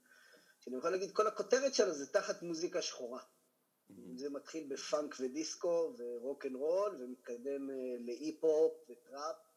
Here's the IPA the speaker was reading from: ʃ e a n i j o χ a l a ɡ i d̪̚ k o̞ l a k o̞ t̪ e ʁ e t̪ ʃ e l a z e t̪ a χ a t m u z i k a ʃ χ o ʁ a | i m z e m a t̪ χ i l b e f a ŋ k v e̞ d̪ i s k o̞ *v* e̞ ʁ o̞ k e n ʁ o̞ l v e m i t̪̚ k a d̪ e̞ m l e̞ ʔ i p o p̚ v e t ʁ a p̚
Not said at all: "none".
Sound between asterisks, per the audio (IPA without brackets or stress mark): v